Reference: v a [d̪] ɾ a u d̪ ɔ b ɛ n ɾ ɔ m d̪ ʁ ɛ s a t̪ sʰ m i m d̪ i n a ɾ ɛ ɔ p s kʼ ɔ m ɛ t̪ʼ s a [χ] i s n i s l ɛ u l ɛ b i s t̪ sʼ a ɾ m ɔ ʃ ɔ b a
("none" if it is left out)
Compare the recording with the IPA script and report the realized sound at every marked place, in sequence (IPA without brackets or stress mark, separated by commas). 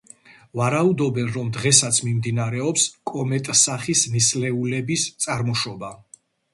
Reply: none, χ